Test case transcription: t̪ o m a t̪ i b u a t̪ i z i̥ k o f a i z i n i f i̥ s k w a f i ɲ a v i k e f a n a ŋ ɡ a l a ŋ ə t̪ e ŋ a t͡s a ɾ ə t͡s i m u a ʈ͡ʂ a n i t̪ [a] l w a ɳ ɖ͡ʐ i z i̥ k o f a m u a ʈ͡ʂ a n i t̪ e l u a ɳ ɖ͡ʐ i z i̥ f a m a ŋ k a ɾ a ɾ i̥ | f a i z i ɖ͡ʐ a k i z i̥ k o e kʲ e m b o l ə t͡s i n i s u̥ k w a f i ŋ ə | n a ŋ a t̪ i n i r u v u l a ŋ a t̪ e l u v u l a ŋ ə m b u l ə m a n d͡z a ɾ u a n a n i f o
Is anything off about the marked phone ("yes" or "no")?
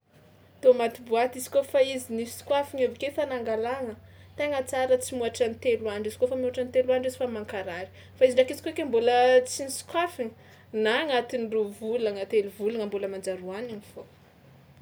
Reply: yes